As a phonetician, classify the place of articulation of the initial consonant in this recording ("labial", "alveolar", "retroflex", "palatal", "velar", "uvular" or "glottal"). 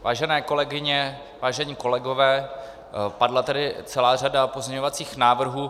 labial